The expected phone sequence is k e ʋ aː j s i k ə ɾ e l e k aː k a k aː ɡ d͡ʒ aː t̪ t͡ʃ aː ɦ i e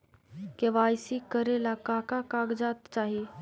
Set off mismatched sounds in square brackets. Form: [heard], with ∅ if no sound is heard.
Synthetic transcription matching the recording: k e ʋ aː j s i k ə ɾ e l [a] k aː k a k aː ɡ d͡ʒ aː t̪ t͡ʃ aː ɦ i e